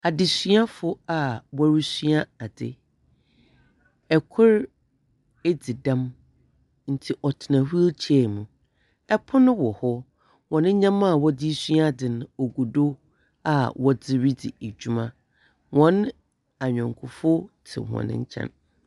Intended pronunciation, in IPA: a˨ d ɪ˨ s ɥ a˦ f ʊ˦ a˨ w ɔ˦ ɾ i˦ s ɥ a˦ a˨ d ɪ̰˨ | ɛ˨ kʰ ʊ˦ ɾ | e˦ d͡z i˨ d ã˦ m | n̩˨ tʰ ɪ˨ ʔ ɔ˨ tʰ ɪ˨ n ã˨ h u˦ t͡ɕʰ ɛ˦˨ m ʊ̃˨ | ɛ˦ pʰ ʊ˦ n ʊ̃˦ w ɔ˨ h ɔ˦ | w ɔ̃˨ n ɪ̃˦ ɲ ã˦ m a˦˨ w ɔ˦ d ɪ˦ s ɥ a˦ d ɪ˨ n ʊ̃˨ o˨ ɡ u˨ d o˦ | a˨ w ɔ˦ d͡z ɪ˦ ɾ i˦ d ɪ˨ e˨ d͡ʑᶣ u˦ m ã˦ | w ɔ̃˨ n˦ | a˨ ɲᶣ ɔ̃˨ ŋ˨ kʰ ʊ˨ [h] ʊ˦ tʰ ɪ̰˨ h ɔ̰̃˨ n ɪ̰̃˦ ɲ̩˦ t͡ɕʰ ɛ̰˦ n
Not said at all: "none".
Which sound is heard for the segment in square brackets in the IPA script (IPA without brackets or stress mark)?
f